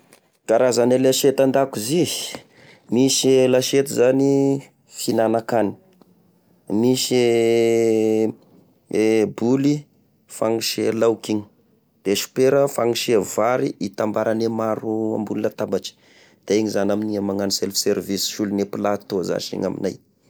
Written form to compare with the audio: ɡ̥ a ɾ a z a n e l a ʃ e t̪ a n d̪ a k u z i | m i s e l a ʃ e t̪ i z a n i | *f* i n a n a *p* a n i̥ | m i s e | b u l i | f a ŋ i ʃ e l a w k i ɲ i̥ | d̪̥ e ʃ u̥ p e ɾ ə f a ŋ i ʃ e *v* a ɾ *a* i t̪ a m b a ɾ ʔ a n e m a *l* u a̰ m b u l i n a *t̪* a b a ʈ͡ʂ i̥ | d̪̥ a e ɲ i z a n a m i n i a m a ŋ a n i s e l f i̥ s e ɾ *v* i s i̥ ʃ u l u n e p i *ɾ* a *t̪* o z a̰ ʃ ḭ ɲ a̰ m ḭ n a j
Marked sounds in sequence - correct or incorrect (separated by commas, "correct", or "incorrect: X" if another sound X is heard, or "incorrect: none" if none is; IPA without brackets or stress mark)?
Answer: correct, incorrect: k, correct, incorrect: i, incorrect: ɾ, correct, correct, incorrect: l, correct